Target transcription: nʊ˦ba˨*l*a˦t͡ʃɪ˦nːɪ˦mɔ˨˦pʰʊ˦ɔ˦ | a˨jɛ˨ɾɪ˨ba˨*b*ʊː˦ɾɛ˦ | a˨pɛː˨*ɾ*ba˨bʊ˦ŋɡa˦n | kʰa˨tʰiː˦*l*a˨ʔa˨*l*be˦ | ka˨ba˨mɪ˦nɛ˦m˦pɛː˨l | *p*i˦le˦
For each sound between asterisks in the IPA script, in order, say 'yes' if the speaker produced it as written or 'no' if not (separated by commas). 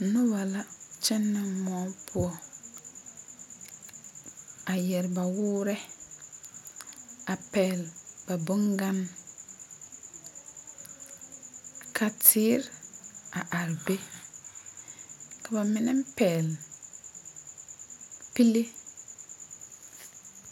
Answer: yes, no, no, no, no, yes